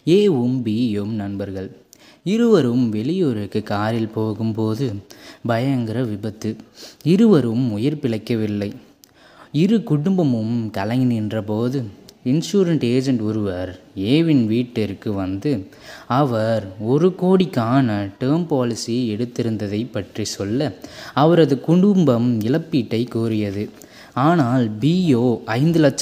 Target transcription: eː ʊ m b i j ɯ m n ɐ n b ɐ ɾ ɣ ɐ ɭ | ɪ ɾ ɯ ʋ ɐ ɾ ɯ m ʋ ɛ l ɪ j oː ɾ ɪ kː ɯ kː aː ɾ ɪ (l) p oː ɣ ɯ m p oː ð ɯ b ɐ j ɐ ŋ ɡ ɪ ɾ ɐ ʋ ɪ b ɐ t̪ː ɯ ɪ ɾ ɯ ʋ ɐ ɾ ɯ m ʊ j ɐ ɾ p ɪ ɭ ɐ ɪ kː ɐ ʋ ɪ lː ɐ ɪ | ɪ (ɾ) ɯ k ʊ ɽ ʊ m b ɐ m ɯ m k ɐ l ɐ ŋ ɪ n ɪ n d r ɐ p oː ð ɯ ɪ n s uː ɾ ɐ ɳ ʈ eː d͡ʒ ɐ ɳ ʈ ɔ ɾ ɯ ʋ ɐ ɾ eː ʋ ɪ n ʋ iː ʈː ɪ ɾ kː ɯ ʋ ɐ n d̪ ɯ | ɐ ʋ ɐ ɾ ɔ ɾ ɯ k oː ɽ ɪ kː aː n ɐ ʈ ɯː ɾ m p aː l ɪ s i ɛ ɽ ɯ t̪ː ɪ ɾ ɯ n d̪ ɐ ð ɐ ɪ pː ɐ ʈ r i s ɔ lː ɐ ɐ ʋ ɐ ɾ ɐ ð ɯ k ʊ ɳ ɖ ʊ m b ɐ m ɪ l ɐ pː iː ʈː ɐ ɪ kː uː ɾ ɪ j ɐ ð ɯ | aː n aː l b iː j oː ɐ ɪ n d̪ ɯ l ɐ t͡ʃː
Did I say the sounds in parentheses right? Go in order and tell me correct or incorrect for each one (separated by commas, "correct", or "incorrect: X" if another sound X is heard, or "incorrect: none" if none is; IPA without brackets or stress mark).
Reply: correct, correct